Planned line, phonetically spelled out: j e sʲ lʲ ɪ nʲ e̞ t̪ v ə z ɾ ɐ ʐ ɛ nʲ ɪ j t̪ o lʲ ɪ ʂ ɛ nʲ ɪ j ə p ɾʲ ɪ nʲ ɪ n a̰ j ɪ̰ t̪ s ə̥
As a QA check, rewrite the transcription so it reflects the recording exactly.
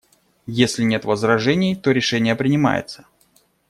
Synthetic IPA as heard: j e sʲ lʲ ɪ nʲ e̞ t̪ v ə z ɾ ɐ ʐ ɛ nʲ ɪ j t̪ o ɾʲ ɪ ʂ ɛ nʲ ɪ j ə p ɾʲ ɪ nʲ ɪ m a̰ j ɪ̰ t̪ s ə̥

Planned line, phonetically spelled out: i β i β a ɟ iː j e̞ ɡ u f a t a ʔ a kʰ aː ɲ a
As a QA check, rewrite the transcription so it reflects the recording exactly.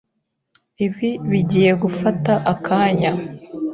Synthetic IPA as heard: i β i β i ɟ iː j e̞ ɡ u f a t a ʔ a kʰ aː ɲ a

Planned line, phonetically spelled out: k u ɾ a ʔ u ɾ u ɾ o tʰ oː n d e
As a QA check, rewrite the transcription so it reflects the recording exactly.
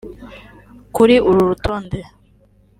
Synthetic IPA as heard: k u ɾ i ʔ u ɾ u ɾ u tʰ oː n d e

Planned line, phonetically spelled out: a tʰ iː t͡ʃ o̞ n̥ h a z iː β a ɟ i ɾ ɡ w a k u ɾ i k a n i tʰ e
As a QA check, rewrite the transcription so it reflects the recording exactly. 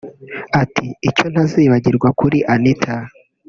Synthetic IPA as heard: a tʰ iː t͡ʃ o̞ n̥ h a z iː β a ɟ i ɾ ɡ w a k u ɾ i ʔ a n i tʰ a

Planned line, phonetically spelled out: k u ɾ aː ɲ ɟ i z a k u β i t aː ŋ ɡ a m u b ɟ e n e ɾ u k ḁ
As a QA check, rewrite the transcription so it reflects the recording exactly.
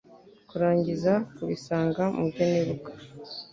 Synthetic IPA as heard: k u ɾ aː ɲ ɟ i z a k u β i s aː ŋ ɡ a m u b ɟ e n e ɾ u k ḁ

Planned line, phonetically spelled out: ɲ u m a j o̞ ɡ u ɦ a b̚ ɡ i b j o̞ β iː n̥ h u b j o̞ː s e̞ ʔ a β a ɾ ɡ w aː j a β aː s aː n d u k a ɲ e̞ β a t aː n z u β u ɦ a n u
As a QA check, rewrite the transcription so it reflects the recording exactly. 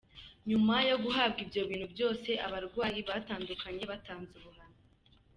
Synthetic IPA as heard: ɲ u m a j o̞ ɡ u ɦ a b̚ ɡ i b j o̞ β iː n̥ h u b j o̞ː s e̞ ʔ a β a ɾ ɡ w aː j i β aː t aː n d u k a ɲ e̞ β a t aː n z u β u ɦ a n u

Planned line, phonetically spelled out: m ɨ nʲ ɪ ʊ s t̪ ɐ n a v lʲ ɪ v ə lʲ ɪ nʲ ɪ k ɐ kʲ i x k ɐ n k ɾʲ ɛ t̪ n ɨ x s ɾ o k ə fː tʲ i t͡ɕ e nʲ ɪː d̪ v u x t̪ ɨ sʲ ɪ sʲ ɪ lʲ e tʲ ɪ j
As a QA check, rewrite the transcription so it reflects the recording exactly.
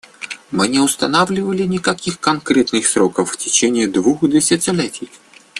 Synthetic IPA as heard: m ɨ nʲ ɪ ʊ s t̪ ɐ n a v lʲ ɪ v ə lʲ ɪ nʲ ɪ k ɐ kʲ i x k ɐ n k ɾʲ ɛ t̪ n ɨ x s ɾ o k ə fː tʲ ɪ t͡ɕ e nʲ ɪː d̪ v u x d̪ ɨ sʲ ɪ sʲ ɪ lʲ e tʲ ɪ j

